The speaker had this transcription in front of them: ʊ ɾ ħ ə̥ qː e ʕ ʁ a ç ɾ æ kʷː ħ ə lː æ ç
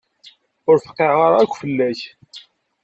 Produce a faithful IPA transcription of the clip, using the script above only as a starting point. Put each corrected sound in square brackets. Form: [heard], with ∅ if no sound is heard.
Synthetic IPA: ʊ ɾ [f] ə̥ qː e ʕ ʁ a [∅] ɾ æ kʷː [f] ə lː æ ç